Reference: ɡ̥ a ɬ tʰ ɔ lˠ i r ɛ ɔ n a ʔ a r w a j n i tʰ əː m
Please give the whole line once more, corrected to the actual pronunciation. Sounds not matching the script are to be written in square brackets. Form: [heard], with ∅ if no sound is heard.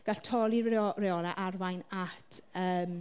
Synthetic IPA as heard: ɡ̥ a ɬ tʰ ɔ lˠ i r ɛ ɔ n a ʔ a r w a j n [a] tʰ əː m